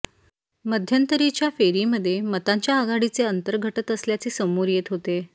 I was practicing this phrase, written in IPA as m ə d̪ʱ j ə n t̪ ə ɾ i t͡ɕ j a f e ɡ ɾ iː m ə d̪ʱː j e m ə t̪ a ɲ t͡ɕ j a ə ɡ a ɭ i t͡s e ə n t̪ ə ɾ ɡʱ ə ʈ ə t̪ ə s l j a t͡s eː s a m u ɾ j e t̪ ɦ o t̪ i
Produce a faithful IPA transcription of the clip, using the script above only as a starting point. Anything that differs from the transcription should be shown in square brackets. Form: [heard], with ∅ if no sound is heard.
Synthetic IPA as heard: m ə d̪ʱ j ə n t̪ ə ɾ i t͡ɕ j a f e [∅] ɾ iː m ə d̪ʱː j e m ə t̪ a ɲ t͡ɕ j a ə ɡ a [ɽ] i t͡s e ə n t̪ ə ɾ ɡʱ ə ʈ ə t̪ ə s l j a t͡s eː s [ə] m u ɾ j e t̪ ɦ o t̪ [e]